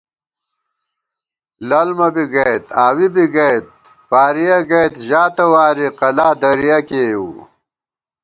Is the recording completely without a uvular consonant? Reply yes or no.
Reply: no